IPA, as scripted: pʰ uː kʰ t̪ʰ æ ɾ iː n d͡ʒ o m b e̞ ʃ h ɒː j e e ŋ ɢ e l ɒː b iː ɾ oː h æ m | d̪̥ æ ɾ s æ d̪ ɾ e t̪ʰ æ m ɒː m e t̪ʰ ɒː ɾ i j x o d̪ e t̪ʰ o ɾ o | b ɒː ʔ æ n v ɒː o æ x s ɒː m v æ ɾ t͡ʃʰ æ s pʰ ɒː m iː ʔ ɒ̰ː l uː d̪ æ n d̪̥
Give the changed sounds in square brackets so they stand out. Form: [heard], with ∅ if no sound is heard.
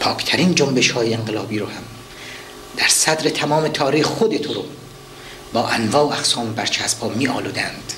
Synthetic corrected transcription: pʰ [ɒː] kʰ t̪ʰ æ ɾ iː n d͡ʒ o m b e̞ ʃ h ɒː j e e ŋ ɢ e l ɒː b iː ɾ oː h æ m | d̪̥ æ ɾ s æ d̪ ɾ e t̪ʰ æ m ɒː m e t̪ʰ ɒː ɾ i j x o d̪ e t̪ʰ o ɾ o | b ɒː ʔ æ n v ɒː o æ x s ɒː m [b] æ ɾ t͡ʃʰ æ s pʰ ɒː m iː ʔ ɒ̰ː l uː d̪ æ n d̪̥